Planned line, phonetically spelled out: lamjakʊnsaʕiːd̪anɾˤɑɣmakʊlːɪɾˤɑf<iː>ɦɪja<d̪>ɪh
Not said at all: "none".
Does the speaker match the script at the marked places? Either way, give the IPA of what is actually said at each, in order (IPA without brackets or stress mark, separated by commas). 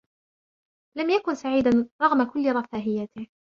aː, t̪